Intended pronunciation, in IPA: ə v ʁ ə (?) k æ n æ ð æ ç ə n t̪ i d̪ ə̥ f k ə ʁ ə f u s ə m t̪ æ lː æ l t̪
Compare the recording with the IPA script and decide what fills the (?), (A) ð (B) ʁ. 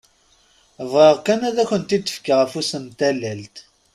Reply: B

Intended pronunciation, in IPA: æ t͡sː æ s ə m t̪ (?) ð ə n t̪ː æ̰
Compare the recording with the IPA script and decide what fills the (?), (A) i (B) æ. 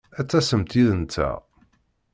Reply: A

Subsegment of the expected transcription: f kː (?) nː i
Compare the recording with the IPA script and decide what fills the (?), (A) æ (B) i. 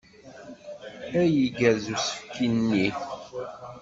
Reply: B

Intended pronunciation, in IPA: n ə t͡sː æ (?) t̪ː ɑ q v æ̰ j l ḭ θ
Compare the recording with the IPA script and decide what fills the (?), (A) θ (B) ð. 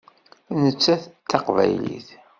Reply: A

